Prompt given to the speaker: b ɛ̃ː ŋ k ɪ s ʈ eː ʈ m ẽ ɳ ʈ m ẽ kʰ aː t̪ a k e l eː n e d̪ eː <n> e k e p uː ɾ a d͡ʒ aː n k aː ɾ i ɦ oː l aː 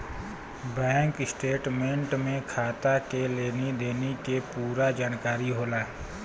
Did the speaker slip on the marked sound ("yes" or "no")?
no